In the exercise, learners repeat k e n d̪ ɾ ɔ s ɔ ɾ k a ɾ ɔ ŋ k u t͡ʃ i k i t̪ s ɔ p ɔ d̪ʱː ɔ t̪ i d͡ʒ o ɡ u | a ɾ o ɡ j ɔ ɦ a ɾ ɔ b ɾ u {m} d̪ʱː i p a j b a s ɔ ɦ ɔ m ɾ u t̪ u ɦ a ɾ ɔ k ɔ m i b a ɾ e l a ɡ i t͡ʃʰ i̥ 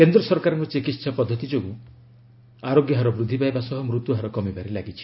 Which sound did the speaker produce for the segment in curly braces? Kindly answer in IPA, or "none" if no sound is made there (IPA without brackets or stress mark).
none